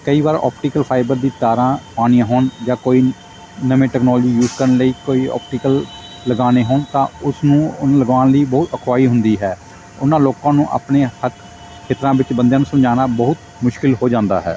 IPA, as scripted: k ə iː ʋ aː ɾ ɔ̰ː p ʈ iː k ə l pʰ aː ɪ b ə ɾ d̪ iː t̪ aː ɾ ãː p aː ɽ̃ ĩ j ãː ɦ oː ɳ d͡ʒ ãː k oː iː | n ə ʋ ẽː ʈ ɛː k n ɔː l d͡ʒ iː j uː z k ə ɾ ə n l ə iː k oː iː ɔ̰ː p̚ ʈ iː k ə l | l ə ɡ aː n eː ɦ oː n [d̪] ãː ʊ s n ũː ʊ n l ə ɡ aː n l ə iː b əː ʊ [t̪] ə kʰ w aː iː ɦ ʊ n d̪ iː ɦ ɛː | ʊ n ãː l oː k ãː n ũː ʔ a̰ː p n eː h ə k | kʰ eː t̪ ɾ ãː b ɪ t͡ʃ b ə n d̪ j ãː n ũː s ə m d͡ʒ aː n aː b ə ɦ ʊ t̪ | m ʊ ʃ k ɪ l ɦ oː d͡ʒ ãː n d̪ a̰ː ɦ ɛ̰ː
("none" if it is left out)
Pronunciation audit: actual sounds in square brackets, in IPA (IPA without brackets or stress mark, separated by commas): t̪, t̪